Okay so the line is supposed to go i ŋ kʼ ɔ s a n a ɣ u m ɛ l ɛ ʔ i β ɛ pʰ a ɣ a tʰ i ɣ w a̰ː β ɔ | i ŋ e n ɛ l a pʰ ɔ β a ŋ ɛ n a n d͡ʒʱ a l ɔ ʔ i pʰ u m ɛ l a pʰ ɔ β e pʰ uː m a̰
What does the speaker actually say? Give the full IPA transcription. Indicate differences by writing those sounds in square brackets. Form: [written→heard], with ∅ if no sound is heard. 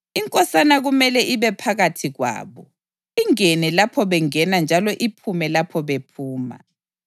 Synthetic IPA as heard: i ŋ kʼ ɔ s a n a ɣ u m ɛ l ɛ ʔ i β ɛ pʰ a ɣ a tʰ i ɣ w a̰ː β ɔ | i ŋ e n ɛ l a pʰ ɔ β [a→ɛ] ŋ ɛ n a n d͡ʒʱ a l ɔ ʔ i pʰ u m ɛ l a pʰ ɔ β e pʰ uː m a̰